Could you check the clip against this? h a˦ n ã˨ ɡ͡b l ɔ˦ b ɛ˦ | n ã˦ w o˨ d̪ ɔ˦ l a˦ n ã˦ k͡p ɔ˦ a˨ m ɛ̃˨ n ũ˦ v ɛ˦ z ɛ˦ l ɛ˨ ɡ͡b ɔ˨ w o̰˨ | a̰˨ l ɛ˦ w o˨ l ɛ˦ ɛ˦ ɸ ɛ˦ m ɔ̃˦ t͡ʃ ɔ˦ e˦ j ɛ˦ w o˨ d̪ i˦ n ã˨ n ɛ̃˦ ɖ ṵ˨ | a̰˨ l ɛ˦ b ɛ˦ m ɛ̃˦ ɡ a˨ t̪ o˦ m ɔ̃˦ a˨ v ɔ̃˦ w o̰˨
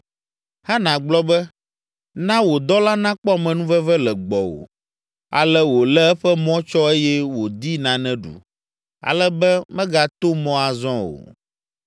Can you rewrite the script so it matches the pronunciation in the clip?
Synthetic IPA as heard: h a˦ n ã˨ ɡ͡b l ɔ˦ b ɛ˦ | n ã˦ w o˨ d̪ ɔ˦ l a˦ n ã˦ k͡p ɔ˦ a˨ m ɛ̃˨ n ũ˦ v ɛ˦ v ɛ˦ l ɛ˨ ɡ͡b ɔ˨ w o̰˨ | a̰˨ l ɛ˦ w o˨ l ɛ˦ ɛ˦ ɸ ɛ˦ m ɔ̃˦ t͡ʃ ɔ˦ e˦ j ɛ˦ w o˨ d̪ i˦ n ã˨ n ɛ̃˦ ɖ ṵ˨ | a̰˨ l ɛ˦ b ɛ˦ m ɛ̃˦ ɡ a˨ t̪ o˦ m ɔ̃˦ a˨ z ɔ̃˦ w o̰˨